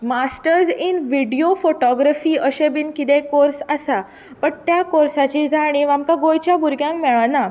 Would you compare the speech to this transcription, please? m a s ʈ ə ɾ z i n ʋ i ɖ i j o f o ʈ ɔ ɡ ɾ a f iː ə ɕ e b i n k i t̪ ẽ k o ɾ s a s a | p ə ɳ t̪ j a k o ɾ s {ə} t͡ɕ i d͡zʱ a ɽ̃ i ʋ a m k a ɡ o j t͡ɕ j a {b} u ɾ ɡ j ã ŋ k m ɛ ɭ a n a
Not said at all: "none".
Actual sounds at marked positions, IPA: a, b

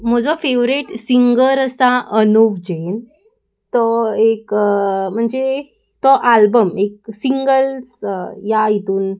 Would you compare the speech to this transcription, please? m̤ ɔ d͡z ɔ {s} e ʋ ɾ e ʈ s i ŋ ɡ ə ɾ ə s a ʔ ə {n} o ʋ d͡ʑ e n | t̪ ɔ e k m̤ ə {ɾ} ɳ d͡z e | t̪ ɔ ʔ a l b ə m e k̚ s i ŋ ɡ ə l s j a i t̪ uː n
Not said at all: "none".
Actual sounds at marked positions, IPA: f, n, none

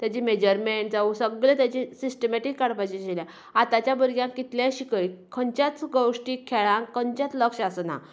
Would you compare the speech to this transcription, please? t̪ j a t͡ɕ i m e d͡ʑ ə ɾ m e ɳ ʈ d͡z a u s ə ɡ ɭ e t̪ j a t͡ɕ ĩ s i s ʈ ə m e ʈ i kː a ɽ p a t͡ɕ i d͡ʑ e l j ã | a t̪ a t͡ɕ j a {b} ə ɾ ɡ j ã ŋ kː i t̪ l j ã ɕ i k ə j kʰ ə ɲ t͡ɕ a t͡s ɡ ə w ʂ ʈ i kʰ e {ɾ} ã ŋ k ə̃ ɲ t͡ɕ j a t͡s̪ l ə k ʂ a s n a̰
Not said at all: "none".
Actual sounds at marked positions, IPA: b, ɭ

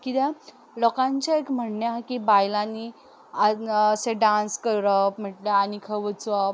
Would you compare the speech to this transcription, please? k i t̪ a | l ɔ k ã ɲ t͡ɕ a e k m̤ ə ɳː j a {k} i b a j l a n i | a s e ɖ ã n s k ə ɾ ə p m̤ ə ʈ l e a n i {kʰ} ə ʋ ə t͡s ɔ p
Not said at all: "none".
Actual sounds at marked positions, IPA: k, kʰ

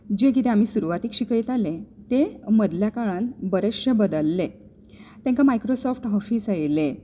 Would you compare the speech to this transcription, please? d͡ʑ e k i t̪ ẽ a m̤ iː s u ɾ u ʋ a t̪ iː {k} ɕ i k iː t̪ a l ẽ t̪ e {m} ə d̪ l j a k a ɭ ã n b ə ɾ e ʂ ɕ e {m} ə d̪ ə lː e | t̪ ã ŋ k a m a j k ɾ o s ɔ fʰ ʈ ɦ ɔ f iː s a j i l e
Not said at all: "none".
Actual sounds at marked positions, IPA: k, m, b

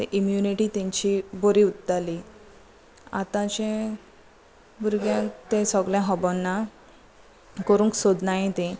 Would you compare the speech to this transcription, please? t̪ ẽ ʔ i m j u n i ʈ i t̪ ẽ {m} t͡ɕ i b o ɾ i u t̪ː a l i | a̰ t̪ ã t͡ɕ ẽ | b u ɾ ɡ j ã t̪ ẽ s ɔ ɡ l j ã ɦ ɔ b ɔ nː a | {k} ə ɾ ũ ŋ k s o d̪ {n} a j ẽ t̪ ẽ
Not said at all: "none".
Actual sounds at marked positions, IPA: ɲ, k, n

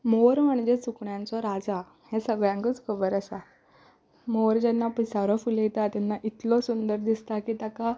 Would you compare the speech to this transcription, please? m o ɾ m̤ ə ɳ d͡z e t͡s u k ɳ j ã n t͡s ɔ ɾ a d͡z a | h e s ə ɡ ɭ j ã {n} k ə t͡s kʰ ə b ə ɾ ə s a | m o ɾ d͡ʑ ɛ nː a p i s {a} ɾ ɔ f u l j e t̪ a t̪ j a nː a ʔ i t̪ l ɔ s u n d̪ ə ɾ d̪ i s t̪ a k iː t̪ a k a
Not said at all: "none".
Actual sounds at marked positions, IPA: ŋ, a

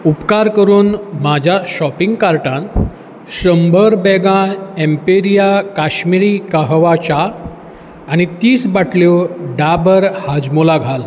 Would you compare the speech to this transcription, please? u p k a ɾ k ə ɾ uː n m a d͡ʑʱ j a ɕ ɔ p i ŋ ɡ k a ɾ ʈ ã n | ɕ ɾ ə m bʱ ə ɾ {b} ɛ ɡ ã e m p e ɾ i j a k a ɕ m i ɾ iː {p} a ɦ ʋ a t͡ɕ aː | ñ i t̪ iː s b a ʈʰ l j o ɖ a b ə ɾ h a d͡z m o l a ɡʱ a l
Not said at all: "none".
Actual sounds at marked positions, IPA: b, k

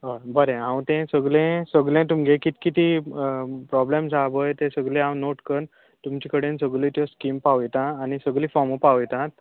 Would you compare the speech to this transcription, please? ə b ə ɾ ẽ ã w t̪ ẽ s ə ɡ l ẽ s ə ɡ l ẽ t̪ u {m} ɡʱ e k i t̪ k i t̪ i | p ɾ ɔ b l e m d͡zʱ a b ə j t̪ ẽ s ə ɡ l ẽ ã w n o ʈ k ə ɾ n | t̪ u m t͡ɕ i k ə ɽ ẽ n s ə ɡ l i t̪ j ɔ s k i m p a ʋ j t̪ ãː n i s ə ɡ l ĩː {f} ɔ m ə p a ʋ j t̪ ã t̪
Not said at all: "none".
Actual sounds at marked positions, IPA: m, f

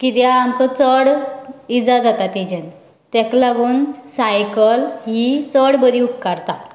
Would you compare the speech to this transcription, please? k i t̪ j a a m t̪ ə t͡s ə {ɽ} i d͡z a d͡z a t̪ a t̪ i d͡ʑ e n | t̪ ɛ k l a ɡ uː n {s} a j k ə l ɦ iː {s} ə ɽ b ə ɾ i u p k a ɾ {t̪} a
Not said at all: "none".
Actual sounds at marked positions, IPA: ɽ, s, t͡s, t̪

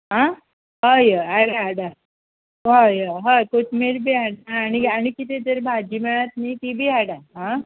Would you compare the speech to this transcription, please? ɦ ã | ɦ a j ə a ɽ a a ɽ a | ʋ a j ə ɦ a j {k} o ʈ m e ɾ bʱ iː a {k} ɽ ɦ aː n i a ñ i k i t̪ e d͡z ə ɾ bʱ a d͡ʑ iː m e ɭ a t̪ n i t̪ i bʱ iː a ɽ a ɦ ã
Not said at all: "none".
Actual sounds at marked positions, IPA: k, none

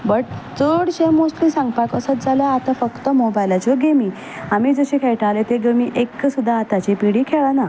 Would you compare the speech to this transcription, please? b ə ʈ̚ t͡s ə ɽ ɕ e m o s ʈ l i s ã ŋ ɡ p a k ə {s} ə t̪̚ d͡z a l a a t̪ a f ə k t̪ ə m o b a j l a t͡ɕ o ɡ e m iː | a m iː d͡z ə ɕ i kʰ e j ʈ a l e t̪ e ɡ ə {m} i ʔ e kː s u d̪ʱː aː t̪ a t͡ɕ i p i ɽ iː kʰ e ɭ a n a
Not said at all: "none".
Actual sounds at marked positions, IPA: s, m

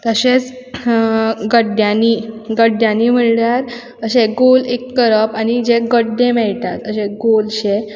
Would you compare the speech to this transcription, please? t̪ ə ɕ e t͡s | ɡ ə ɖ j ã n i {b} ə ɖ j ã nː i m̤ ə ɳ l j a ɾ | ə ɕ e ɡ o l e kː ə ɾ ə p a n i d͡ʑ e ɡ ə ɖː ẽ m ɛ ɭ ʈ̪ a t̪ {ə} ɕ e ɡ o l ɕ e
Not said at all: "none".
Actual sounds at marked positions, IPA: ɡ, ə

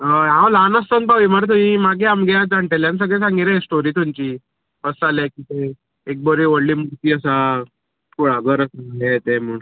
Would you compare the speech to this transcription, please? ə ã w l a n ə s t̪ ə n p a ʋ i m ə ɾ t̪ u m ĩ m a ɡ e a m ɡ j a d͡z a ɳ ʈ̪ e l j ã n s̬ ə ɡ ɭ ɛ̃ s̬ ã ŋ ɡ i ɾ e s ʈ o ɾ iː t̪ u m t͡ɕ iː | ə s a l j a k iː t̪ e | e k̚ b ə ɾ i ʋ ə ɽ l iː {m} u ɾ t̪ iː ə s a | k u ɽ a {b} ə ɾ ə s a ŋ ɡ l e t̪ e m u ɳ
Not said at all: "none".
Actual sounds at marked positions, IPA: m, ɡ

